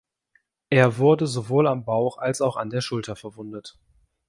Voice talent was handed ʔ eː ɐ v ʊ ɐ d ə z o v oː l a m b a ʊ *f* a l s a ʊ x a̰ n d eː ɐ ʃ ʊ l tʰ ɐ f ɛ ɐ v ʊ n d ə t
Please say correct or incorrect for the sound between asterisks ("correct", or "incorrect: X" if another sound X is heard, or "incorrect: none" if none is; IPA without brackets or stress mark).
incorrect: x